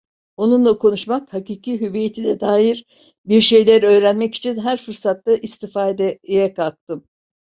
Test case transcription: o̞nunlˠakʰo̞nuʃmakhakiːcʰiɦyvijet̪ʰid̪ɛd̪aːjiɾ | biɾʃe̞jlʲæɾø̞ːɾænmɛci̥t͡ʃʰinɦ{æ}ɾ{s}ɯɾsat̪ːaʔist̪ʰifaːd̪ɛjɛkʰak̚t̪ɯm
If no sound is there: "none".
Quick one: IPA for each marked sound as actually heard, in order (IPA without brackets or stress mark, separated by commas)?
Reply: æ, f